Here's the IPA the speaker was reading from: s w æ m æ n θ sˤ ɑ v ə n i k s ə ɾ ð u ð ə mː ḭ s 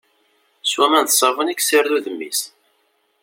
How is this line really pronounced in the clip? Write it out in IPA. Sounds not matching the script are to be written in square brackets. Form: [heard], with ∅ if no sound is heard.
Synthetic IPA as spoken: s w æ m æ n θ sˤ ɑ v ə n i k s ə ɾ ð u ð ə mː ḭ s

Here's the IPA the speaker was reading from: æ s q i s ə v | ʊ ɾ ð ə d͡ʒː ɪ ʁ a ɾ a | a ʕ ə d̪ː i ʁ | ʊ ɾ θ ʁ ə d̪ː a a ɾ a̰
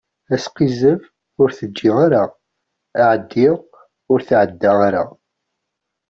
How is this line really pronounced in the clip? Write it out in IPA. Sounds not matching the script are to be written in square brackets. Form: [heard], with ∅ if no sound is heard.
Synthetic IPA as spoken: æ s q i [z] ə v | ʊ ɾ [θ] ə d͡ʒː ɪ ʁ a ɾ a | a ʕ ə d̪ː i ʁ | ʊ ɾ θ [ʕ] ə d̪ː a a ɾ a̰

